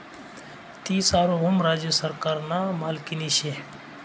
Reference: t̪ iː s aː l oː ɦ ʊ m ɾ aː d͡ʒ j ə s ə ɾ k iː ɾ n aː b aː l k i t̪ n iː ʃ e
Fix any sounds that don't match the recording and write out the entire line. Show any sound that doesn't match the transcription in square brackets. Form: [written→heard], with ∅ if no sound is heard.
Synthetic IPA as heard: t̪ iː s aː [l→ɾ] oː ɦ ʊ m ɾ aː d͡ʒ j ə s ə ɾ k [iː→aː] ɾ n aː [b→m] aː l k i [t̪→∅] n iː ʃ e